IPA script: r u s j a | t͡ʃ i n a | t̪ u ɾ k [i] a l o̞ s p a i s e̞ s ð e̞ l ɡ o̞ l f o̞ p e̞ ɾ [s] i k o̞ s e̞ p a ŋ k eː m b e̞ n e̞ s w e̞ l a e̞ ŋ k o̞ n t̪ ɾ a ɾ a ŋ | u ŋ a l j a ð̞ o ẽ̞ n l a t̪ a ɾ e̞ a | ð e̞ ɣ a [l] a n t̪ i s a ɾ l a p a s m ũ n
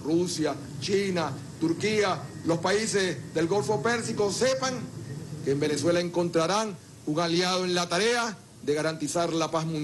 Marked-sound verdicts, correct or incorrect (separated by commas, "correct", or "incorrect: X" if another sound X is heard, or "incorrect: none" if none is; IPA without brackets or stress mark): correct, correct, incorrect: ɾ